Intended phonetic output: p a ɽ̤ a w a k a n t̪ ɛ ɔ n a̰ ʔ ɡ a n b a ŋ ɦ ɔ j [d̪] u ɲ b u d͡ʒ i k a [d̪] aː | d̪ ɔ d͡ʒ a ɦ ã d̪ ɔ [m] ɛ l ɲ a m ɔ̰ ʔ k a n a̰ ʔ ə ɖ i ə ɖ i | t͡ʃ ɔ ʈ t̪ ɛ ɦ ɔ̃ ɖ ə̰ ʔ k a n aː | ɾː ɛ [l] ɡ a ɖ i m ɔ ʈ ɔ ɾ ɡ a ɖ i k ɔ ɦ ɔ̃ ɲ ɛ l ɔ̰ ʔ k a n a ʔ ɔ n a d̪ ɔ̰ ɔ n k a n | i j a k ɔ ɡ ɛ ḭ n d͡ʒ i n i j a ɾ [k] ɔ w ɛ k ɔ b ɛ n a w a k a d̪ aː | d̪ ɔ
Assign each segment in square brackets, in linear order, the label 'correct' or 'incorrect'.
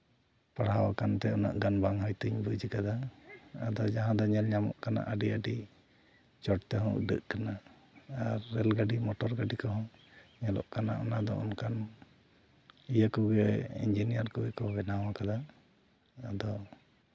incorrect: t̪, correct, incorrect: ɲ, correct, correct

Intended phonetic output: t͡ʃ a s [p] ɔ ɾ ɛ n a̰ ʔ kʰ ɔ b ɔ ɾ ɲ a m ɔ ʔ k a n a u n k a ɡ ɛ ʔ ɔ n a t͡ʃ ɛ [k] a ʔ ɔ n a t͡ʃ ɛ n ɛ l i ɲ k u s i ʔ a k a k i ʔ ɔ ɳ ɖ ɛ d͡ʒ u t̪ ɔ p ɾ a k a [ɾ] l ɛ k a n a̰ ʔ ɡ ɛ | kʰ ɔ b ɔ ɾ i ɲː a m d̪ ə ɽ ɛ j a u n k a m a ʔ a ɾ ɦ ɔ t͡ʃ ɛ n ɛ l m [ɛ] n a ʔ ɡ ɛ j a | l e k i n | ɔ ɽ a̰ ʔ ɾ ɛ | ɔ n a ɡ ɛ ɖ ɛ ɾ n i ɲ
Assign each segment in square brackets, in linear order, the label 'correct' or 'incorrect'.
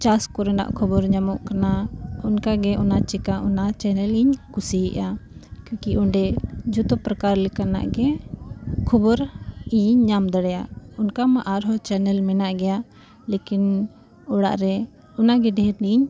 incorrect: k, correct, correct, correct

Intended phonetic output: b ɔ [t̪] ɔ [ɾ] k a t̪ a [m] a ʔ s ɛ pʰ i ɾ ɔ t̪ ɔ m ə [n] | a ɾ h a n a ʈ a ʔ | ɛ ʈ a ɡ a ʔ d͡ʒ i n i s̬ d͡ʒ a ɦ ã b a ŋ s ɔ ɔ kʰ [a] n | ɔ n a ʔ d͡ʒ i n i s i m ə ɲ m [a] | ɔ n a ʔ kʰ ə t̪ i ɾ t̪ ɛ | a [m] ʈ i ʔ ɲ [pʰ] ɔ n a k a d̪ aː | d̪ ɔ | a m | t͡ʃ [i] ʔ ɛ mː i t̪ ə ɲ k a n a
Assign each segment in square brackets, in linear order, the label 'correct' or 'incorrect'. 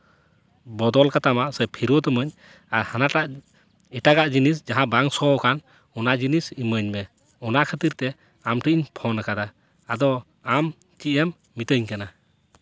incorrect: d̪, incorrect: l, correct, incorrect: ɲ, correct, incorrect: ɛ, correct, correct, correct

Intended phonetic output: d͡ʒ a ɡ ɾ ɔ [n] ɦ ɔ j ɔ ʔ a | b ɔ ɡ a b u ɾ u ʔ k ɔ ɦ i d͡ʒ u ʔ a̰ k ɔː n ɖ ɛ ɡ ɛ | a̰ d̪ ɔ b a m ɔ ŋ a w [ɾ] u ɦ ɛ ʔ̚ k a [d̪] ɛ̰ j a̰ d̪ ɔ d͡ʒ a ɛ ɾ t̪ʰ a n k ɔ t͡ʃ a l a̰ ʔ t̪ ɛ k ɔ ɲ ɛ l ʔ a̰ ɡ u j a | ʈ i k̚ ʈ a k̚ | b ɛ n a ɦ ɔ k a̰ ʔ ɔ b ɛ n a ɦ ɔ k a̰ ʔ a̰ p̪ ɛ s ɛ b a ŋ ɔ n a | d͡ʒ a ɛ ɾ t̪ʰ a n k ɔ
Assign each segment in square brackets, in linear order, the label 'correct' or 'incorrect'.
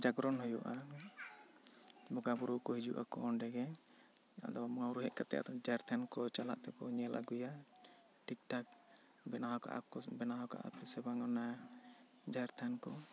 correct, correct, incorrect: t̪

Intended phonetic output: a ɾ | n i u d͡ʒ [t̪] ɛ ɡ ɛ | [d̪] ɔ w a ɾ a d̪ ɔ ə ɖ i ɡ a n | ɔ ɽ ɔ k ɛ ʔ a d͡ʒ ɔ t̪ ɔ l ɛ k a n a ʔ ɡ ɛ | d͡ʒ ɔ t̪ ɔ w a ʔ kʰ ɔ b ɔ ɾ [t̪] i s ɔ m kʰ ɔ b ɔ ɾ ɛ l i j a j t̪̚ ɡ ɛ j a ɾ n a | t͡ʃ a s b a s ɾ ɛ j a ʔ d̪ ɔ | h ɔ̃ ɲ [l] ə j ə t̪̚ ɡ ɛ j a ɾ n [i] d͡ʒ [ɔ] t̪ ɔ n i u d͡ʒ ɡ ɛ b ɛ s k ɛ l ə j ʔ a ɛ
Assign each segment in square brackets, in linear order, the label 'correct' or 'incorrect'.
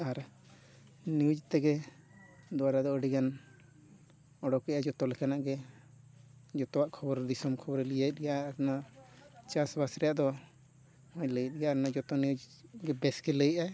correct, correct, incorrect: d̪, correct, incorrect: a, correct

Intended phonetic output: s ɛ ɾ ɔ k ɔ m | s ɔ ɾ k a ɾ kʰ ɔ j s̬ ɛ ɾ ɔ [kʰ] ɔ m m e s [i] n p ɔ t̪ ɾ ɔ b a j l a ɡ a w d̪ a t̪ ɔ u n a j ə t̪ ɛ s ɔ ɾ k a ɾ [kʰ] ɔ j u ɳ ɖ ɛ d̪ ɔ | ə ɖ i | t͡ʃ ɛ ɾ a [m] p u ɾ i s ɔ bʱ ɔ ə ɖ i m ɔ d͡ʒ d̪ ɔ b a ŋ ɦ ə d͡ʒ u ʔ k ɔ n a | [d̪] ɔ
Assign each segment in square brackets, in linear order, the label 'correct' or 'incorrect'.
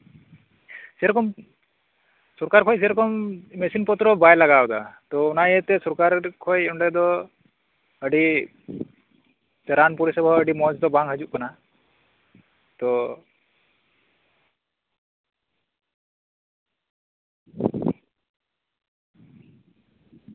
incorrect: k, correct, correct, incorrect: n, incorrect: t̪

